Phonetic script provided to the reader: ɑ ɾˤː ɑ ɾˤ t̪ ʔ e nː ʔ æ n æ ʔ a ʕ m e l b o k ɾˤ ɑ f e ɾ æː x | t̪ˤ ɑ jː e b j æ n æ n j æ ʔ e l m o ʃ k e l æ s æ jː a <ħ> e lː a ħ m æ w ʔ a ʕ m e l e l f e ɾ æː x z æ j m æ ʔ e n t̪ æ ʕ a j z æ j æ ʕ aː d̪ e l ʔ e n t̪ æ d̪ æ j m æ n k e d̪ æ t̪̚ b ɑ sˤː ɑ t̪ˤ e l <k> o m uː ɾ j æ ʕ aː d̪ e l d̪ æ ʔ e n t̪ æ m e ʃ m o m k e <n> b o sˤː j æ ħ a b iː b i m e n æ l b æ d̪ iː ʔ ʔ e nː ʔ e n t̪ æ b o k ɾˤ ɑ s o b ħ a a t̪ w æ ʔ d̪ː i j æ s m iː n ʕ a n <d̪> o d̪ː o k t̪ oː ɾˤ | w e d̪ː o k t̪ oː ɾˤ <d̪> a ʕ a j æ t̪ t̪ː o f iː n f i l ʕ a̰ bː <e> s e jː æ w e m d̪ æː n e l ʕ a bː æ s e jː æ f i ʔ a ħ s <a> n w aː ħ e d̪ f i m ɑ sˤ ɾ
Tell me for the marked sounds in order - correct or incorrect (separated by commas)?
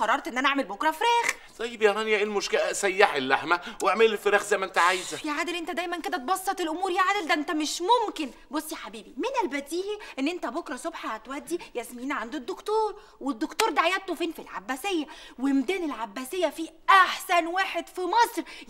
correct, incorrect, correct, correct, correct, incorrect, incorrect